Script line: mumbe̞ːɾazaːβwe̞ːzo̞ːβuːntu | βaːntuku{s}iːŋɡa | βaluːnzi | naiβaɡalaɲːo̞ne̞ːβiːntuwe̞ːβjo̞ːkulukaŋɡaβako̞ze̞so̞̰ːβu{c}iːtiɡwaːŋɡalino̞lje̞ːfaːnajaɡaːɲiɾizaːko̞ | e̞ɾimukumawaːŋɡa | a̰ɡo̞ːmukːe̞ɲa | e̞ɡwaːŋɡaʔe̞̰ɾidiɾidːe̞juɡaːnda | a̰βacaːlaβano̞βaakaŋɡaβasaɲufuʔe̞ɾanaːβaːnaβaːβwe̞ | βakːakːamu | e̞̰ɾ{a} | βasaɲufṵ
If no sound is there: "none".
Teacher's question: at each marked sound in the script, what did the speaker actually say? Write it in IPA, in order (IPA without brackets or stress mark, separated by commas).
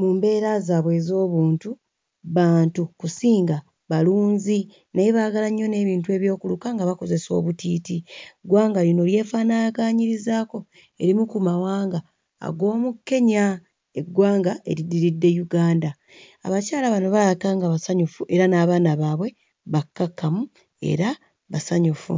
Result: s, t, a